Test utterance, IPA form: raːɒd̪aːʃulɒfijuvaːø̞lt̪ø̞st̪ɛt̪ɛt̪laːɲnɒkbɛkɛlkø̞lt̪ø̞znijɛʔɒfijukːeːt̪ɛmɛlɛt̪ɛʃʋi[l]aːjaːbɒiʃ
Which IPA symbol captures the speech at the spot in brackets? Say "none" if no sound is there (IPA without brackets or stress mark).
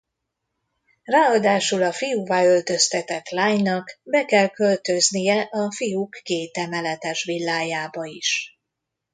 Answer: lː